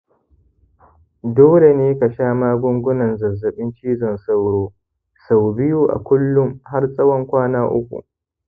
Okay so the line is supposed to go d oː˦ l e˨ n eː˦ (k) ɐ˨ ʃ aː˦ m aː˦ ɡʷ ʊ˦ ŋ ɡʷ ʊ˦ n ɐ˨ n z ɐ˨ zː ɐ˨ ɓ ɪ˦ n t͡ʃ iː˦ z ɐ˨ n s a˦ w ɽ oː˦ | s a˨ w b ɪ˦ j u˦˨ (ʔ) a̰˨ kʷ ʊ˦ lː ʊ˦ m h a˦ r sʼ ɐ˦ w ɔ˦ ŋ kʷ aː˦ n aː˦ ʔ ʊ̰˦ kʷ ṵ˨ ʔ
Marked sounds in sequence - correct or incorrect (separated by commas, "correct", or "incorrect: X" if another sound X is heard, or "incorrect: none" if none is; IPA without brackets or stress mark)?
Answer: correct, correct